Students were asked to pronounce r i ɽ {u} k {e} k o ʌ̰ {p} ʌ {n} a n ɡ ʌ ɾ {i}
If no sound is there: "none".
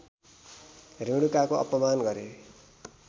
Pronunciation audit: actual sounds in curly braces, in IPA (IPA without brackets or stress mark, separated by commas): u, a, p, m, e